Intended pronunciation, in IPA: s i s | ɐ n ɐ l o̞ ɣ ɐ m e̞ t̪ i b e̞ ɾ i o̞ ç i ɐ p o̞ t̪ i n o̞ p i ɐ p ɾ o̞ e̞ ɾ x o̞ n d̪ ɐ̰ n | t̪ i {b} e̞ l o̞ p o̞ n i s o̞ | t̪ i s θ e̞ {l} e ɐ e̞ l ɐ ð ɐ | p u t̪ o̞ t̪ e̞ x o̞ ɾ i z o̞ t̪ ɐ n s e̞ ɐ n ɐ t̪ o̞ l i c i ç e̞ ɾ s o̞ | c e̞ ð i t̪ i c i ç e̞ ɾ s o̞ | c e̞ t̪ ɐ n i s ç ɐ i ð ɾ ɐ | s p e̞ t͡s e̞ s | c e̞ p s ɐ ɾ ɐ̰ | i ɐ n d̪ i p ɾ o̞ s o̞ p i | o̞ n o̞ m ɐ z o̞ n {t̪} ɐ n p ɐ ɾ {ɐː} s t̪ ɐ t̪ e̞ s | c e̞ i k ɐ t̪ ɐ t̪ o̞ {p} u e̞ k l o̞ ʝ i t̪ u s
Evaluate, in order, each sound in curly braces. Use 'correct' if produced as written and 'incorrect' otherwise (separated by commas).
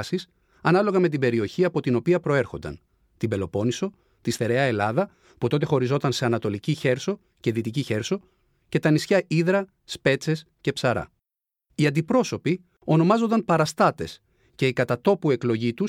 correct, incorrect, incorrect, incorrect, correct